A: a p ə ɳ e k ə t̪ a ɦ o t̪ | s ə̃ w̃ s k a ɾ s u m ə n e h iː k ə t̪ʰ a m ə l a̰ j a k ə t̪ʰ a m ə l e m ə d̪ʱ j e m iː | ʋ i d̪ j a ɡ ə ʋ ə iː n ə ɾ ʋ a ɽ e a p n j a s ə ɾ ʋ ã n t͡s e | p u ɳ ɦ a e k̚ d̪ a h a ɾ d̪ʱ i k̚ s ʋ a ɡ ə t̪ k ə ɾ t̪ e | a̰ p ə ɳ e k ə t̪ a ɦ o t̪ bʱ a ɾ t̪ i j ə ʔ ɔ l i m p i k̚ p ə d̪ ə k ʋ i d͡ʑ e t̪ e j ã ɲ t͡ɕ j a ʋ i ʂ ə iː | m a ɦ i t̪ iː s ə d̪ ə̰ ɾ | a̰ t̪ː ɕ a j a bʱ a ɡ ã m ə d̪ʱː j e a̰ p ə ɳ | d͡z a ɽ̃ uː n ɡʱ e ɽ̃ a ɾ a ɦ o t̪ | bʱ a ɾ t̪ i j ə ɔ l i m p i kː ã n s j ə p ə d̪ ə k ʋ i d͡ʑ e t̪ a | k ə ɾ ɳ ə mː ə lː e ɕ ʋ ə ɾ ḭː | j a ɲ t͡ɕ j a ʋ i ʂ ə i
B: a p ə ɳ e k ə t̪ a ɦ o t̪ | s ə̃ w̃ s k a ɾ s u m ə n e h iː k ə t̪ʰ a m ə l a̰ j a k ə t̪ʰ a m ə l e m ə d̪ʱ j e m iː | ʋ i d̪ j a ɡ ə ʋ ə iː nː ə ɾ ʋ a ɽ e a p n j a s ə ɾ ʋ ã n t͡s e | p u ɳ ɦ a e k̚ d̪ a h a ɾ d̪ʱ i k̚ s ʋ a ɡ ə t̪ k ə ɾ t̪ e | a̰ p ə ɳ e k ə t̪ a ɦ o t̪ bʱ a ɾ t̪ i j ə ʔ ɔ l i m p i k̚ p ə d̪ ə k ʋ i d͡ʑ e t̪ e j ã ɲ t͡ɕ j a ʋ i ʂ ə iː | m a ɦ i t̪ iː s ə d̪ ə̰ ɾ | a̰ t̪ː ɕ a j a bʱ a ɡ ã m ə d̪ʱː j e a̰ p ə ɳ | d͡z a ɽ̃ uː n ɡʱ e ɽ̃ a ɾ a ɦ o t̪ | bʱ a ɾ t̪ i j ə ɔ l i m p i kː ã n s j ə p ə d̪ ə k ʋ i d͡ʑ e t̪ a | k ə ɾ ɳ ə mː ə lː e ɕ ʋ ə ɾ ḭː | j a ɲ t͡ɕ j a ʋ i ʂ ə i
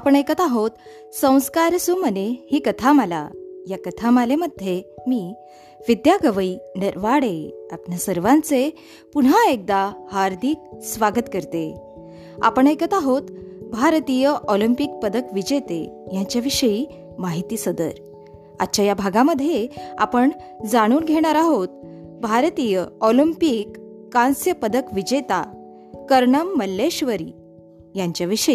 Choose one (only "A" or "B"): A